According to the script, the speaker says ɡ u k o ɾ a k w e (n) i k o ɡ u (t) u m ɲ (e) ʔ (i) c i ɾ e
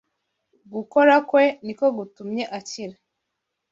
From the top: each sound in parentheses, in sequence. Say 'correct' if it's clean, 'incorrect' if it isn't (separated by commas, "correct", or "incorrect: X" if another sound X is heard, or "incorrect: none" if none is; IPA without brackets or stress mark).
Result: correct, correct, correct, incorrect: a